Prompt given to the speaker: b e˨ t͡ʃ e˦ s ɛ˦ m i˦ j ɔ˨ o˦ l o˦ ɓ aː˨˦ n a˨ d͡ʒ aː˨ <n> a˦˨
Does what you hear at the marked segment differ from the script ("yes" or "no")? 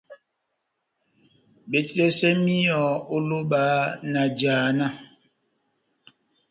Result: no